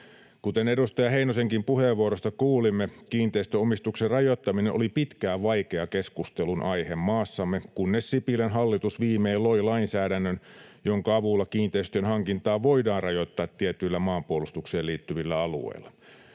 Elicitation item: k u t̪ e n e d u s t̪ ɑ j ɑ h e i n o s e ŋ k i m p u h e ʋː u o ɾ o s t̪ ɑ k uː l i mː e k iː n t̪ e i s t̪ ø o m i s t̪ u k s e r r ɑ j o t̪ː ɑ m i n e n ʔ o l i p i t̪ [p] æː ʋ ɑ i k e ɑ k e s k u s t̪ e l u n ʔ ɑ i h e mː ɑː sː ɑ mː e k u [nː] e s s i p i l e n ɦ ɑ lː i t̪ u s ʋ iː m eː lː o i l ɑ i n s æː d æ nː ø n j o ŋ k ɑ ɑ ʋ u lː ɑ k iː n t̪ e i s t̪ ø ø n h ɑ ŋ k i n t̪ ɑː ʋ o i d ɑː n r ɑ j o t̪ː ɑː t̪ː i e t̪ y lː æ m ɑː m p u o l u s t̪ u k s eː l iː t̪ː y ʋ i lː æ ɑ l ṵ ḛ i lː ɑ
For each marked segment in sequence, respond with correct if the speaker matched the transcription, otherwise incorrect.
incorrect: k, correct

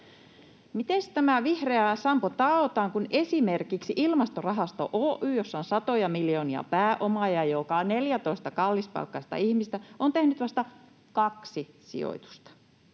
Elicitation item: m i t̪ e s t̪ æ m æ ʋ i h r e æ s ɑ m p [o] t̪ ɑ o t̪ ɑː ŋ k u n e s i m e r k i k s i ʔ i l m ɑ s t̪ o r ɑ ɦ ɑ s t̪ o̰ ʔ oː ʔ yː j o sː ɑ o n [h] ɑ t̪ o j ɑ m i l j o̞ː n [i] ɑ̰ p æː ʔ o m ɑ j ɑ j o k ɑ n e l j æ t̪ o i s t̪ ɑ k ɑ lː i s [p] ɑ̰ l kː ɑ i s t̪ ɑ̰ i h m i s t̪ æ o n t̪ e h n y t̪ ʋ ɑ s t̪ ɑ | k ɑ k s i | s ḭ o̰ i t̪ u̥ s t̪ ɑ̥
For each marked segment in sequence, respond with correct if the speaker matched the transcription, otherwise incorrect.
correct, incorrect: s, correct, correct

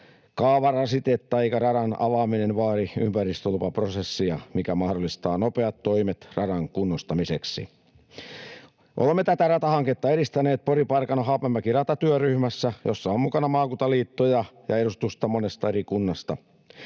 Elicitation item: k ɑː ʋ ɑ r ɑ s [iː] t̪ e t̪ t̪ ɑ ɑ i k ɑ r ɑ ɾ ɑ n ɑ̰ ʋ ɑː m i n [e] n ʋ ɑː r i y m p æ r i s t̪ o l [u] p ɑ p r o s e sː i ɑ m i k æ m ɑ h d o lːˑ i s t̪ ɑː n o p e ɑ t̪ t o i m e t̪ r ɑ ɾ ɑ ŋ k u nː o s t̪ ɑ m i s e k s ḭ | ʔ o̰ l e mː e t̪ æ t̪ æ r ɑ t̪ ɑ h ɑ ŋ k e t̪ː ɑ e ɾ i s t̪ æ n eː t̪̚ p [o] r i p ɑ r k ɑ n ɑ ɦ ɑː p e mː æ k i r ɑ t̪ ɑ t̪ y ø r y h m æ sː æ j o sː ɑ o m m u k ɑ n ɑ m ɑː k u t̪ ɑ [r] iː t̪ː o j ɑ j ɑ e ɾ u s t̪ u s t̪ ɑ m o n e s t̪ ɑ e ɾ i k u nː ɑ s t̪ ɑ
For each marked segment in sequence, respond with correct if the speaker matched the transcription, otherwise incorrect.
incorrect: i, correct, correct, correct, incorrect: l

